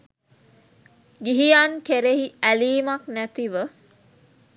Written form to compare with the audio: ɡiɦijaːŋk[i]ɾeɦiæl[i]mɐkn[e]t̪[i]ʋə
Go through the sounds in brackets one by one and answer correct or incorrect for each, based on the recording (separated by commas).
incorrect, incorrect, incorrect, correct